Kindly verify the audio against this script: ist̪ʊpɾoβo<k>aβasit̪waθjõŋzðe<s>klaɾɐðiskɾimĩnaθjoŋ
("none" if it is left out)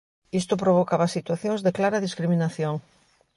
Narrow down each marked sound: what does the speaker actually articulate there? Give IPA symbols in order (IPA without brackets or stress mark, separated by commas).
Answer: k, none